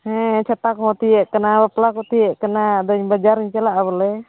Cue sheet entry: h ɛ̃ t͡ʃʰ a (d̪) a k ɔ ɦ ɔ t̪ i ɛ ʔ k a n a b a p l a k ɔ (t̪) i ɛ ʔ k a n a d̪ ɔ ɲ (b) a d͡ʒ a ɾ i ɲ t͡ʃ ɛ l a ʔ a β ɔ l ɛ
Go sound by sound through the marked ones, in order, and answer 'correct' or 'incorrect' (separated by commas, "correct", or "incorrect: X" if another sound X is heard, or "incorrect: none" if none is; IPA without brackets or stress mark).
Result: incorrect: t̪, correct, correct